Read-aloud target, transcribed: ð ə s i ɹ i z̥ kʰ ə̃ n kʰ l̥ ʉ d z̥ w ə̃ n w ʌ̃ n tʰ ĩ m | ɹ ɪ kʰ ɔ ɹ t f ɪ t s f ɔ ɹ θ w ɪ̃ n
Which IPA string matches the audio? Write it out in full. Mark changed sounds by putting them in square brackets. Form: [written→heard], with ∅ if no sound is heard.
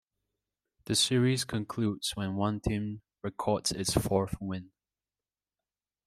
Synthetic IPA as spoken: ð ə s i ɹ i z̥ kʰ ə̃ n kʰ l̥ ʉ d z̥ w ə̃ n w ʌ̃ n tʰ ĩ m | ɹ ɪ kʰ ɔ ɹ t [f→s] ɪ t s f ɔ ɹ θ w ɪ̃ n